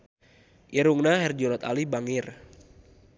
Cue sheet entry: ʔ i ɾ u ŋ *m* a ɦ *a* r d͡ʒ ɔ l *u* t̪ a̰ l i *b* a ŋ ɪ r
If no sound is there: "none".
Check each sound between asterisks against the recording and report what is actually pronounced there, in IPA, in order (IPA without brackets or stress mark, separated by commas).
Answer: n, ɛ, ɔ, b